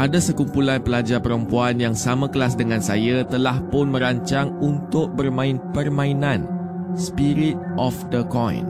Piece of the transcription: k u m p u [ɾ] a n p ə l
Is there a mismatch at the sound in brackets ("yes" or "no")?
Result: yes